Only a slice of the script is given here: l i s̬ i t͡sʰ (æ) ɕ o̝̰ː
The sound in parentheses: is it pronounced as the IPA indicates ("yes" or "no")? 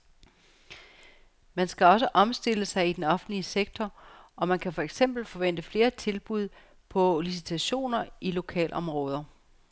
yes